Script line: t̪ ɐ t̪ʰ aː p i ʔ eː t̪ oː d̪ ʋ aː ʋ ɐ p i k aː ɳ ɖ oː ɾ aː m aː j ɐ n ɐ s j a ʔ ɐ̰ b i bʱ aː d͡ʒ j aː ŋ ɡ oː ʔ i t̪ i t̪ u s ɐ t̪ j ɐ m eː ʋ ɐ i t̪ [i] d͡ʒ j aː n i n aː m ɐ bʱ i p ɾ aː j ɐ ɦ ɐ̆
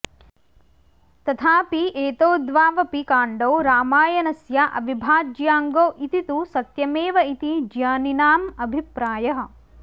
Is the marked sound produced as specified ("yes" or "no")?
yes